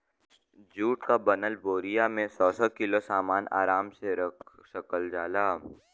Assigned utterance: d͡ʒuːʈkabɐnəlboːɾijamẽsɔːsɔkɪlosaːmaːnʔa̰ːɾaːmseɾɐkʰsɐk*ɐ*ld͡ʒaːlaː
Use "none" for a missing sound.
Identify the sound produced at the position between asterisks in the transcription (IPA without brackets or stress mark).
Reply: ə